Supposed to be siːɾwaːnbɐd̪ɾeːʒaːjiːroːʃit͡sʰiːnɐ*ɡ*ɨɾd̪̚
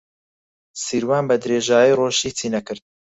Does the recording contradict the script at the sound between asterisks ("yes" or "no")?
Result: yes